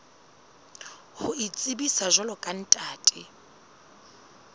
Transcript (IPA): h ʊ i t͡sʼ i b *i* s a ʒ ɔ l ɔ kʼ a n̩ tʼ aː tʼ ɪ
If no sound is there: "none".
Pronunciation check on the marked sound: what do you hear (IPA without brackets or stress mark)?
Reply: i